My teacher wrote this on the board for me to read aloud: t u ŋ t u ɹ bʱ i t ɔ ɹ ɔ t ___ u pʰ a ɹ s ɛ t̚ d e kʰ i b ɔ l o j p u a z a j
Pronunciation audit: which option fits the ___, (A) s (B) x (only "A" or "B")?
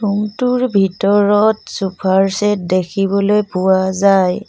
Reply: A